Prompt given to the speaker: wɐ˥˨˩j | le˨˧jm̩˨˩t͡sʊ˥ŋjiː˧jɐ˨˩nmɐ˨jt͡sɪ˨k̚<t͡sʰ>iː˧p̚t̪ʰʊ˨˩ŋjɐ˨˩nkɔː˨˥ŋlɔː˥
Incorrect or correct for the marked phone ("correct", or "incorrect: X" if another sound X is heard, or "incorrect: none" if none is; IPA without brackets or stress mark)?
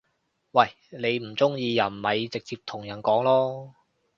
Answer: incorrect: t͡s